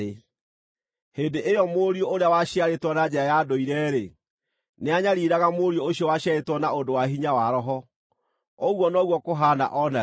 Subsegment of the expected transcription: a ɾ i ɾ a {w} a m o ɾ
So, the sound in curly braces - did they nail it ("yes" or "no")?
no